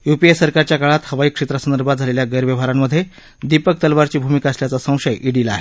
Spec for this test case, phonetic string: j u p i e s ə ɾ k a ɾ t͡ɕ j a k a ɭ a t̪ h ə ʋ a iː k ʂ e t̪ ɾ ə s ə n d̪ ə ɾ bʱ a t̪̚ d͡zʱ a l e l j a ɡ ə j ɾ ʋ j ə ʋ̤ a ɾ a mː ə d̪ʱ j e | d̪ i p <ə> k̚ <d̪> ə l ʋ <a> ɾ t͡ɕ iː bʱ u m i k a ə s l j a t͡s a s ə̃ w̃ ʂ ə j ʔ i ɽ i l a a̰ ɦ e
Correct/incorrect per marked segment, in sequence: correct, incorrect, correct

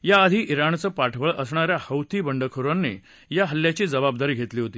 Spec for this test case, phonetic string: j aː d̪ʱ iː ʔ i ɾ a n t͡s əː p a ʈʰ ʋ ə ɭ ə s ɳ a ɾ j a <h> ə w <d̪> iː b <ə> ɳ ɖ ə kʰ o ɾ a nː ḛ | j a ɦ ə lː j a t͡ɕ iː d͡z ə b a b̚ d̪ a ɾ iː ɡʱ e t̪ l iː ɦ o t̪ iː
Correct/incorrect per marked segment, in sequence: correct, incorrect, correct

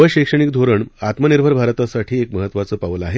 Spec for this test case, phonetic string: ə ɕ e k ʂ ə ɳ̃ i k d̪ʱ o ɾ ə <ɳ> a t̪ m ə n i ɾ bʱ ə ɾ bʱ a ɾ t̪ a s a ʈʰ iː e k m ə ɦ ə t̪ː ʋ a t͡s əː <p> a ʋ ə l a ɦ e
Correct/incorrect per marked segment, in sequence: correct, correct

